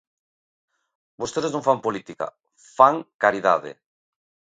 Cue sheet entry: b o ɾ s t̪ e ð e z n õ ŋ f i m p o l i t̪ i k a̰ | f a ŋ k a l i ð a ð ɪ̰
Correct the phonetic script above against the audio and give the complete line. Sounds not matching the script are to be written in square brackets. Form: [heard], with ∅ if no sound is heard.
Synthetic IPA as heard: b o [∅] s t̪ e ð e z n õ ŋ f [a] m p o l i t̪ i k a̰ | f a ŋ k a [ɾ] i ð a ð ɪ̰